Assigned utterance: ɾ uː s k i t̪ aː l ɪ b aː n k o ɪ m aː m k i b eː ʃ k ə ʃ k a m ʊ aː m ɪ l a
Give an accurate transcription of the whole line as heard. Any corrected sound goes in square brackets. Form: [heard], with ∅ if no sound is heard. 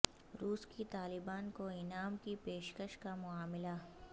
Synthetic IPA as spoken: ɾ uː s k i t̪ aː l ɪ b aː n k o ɪ [n] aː m k i [p] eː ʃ k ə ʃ k a m ʊ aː m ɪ l a